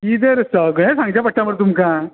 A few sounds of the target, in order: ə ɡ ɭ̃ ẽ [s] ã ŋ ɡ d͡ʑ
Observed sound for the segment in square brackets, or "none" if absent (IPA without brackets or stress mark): s